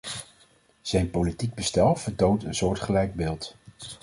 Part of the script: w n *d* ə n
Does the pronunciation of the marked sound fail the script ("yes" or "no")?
yes